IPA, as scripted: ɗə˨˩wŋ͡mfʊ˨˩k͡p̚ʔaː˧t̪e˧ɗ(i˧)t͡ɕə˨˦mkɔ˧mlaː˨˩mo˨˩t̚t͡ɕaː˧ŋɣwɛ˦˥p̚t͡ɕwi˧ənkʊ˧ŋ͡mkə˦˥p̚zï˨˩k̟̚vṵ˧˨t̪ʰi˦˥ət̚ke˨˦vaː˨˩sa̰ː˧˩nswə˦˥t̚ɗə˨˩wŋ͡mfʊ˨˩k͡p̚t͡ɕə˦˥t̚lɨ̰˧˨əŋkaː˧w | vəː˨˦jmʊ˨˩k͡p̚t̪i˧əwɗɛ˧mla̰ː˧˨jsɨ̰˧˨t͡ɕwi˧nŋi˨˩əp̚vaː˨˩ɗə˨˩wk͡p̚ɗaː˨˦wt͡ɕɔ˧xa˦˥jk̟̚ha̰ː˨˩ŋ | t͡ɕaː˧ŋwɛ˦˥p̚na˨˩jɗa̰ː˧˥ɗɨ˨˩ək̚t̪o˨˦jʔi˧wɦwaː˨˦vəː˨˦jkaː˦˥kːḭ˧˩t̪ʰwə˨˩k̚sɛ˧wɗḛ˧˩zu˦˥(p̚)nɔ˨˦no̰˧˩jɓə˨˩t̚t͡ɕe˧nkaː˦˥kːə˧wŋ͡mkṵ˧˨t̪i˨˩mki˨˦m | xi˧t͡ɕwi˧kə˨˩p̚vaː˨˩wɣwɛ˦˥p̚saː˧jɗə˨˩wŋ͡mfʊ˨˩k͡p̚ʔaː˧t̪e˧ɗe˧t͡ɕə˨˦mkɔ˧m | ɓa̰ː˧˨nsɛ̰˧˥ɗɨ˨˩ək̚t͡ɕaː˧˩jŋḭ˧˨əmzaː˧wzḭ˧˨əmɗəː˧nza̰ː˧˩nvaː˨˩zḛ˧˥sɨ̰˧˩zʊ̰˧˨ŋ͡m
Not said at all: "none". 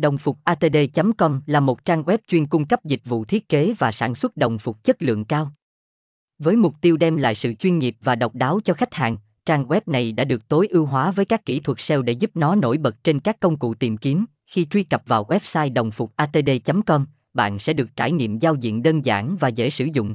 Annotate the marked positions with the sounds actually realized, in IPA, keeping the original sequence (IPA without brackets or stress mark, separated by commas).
e˧, p̚